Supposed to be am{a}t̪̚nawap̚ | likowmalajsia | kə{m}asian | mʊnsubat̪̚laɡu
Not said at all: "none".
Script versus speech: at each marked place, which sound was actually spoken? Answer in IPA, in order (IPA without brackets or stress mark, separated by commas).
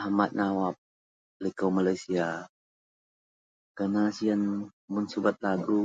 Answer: a, n